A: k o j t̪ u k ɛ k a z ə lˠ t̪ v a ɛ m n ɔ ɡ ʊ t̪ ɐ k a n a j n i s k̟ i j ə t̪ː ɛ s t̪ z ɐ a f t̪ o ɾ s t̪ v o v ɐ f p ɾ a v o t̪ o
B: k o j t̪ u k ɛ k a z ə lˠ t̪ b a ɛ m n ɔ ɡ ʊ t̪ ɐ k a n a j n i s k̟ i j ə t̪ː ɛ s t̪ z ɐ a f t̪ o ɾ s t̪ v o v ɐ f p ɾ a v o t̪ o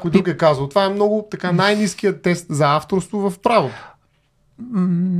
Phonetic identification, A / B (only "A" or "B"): A